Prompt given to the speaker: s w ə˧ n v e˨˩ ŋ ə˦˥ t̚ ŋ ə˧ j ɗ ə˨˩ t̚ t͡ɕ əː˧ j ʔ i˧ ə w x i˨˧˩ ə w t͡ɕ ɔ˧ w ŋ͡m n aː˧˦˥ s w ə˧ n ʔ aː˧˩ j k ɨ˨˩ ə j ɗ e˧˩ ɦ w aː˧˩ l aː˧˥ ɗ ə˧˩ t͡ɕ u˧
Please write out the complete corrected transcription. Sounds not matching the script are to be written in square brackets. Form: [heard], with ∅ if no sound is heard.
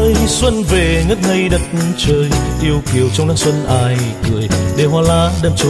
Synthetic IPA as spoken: s w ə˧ n v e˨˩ ŋ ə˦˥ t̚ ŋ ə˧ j ɗ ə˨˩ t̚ t͡ɕ əː˧ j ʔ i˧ ə w [k] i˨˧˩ ə w t͡ɕ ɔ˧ w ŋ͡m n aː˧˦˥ s w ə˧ n ʔ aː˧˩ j k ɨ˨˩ ə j ɗ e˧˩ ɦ w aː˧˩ l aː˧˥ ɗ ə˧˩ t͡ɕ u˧